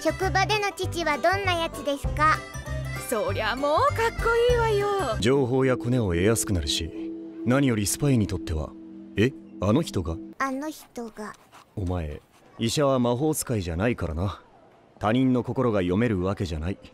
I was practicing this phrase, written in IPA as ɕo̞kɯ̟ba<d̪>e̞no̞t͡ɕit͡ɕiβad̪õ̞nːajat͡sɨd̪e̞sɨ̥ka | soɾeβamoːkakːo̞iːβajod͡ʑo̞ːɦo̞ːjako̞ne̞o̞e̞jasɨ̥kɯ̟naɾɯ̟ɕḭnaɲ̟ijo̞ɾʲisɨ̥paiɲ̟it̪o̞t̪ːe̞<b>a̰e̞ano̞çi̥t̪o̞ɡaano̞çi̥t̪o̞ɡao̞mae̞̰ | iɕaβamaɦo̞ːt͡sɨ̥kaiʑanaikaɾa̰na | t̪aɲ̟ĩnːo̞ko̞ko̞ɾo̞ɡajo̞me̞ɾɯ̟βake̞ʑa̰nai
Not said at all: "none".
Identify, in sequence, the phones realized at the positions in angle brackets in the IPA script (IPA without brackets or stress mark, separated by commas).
d̪, β